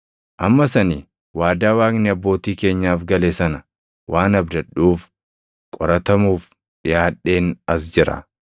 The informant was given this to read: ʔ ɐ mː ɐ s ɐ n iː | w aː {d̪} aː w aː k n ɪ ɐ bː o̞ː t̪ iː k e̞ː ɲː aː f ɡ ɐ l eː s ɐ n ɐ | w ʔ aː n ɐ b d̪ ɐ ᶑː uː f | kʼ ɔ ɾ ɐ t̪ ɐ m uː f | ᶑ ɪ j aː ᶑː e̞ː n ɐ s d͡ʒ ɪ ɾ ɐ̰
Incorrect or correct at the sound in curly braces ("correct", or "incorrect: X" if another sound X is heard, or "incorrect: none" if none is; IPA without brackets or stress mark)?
correct